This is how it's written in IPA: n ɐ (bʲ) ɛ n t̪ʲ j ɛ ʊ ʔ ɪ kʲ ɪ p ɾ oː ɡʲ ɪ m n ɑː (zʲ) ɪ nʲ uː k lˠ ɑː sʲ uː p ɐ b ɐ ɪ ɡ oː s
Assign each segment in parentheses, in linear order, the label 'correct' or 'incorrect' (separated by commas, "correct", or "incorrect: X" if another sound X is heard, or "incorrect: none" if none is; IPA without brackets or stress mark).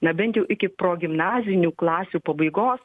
correct, correct